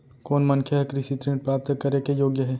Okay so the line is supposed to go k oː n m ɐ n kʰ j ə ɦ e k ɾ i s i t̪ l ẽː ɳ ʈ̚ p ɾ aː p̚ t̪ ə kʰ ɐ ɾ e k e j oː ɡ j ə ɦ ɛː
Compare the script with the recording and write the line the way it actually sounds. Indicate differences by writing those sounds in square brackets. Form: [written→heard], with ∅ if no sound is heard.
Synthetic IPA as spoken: k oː n m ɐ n kʰ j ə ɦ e k ɾ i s i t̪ [l→ɾ] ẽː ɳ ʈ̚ p ɾ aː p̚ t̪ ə [kʰ→k] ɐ ɾ e k e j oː ɡ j ə ɦ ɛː